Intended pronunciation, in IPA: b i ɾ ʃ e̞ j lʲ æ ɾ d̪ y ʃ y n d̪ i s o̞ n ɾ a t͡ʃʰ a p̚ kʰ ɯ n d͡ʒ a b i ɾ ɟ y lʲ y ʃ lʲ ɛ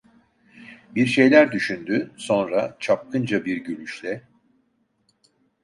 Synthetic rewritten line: b i ɾ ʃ e̞ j lʲ æ ɾ d̪ y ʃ y n d̪ y s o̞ n ɾ a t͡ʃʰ a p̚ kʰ ɯ n d͡ʒ a b i ɾ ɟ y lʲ y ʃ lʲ ɛ

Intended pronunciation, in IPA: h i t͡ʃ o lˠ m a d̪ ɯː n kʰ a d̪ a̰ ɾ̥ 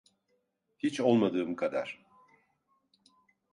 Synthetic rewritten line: h i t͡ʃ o lˠ m a d̪ ɯː m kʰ a d̪ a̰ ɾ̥

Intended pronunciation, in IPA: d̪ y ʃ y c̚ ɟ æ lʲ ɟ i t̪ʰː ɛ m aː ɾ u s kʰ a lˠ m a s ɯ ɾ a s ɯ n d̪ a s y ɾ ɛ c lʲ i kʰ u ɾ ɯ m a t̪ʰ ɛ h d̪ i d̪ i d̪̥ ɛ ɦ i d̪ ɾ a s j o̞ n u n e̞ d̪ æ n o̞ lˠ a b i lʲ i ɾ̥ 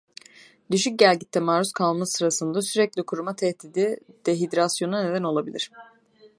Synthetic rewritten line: d̪ y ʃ y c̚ ɟ æ lʲ ɟ i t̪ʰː ɛ m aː ɾ u s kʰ a lˠ m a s ɯ ɾ a s ɯ n d̪ a s y ɾ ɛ c lʲ i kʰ u ɾ u m a t̪ʰ ɛ h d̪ i d̪ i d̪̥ ɛ ɦ i d̪ ɾ a s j o̞ n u n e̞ d̪ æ n o̞ lˠ a b i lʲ i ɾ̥

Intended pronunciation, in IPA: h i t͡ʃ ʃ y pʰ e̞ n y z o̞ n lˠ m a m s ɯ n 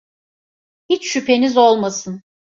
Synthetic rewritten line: h i t͡ʃ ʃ y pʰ e̞ n i z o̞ lˠ m a s ɯ n

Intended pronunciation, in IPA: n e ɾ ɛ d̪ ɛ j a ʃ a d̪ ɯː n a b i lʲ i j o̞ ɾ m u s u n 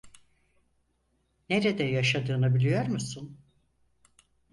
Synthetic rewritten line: n e ɾ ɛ d̪ ɛ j a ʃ a d̪ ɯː n a b i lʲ i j o̞ ɾ m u s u n

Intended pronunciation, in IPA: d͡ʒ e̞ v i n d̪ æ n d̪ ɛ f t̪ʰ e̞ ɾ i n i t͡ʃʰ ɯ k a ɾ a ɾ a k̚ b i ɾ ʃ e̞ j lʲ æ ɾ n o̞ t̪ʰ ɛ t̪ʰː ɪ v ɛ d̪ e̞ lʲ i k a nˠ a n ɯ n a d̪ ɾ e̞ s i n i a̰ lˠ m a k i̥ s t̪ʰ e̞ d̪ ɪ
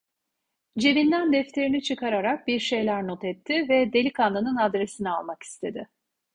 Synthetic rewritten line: d͡ʒ e̞ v i n d̪ æ n d̪ ɛ f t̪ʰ e̞ ɾ i n i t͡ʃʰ ɯ k a ɾ a ɾ a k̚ b i ɾ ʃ e̞ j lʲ æ ɾ n o̞ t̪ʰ ɛ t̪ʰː ɪ v ɛ d̪ e̞ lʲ i k a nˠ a n ɯ n a d̪ ɾ e̞ s i n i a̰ lˠ m a k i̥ s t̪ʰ e̞ d̪ ɪ

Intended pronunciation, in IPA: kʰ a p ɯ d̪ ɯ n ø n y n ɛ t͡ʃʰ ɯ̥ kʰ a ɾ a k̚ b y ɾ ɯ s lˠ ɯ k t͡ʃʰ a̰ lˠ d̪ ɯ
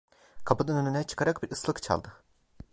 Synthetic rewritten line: kʰ a p ɯ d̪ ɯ n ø n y n ɛ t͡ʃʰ ɯ̥ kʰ a ɾ a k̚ b i ɾ ɯ s lˠ ɯ k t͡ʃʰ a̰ lˠ d̪ ɯ

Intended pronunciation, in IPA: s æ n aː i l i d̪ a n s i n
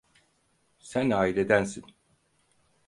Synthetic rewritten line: s æ n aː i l e d̪ æ n s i n

